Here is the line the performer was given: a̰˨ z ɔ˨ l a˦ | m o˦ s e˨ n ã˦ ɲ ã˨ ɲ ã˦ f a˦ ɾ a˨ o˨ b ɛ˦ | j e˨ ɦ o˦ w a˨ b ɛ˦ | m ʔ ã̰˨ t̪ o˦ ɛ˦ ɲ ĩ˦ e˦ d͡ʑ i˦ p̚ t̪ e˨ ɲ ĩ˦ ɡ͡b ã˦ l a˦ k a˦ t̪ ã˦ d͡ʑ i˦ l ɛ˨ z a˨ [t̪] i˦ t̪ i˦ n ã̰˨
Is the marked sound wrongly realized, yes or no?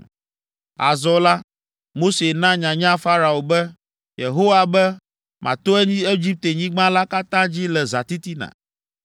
no